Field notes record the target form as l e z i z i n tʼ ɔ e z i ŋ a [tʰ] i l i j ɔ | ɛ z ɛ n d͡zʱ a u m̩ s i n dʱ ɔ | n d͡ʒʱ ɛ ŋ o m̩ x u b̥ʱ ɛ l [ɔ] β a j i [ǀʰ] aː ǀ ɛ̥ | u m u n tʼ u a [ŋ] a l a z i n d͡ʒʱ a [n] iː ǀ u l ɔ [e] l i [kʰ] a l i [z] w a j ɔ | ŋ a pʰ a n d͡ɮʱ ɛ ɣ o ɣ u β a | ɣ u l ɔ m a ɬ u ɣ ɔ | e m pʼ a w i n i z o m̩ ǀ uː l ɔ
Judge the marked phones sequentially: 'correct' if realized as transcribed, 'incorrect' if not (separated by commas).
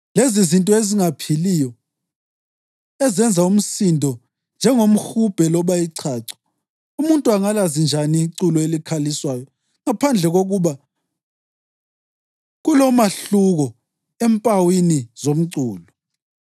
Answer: incorrect, correct, correct, correct, correct, correct, correct, incorrect